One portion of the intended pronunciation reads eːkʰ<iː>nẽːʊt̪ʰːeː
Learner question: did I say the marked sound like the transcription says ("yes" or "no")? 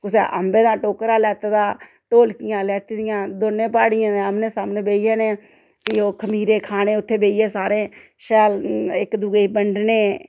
no